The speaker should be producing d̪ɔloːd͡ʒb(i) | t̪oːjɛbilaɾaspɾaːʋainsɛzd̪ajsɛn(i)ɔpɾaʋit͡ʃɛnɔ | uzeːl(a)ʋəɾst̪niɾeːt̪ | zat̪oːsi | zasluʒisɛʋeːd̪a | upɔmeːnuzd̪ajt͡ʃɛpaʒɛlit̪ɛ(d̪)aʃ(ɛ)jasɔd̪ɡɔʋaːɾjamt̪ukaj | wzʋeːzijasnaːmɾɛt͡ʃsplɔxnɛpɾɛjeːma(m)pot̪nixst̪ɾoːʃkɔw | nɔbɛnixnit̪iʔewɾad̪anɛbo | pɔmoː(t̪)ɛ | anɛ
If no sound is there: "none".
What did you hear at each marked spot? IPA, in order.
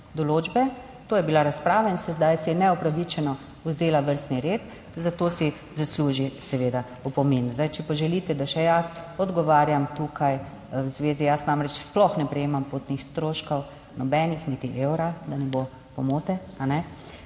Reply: ɛ, ɛ, a, d̪, ɛ, m, t̪

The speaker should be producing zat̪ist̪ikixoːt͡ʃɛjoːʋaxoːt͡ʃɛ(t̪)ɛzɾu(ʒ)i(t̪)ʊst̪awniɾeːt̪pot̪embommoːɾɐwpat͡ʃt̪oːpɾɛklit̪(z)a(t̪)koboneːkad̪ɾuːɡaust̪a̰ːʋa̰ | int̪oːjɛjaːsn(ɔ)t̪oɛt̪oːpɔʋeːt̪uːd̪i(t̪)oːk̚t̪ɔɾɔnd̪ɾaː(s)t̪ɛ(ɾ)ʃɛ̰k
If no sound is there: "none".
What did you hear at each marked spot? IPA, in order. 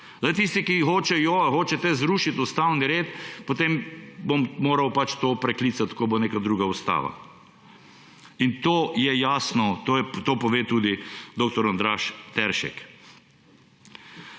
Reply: t̪, ʃ, t̪, s, t̪, ɔ, d̪, ʃ, ɾ

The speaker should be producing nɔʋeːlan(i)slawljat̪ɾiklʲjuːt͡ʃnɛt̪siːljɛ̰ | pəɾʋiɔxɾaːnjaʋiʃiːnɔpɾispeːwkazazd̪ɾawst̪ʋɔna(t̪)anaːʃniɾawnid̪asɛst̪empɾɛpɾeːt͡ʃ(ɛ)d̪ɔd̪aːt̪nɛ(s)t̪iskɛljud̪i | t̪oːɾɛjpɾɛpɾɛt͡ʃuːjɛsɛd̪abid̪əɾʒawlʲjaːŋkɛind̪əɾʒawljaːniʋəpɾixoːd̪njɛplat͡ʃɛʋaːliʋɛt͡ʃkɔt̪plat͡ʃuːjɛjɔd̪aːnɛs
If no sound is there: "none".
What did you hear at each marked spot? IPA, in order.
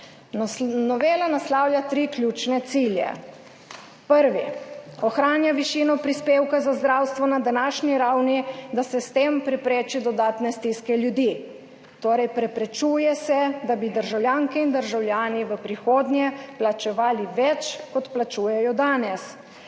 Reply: a, d̪, i, s

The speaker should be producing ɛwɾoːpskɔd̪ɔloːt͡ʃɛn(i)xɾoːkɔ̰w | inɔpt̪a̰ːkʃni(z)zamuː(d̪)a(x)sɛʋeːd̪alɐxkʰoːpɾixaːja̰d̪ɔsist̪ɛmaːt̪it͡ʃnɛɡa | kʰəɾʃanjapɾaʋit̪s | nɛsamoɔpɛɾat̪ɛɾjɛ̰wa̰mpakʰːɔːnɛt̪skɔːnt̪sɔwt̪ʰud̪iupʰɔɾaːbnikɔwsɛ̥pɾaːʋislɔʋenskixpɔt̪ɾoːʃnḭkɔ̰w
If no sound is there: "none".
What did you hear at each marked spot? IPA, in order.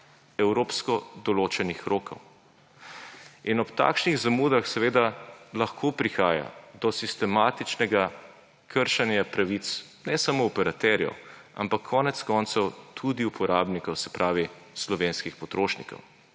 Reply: i, ɣ, d̪, x

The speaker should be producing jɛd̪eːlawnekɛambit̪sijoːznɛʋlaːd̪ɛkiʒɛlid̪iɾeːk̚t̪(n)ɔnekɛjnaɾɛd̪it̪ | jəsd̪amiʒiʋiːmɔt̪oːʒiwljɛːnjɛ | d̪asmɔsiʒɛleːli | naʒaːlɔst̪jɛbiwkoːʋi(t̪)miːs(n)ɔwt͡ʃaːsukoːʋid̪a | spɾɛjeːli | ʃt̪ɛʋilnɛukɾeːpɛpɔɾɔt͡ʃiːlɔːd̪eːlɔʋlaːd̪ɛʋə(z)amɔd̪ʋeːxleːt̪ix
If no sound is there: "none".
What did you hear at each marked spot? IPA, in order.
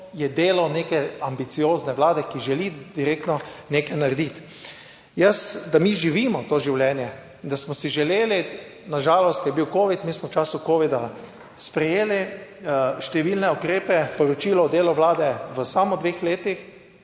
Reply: n, t̪, m, s

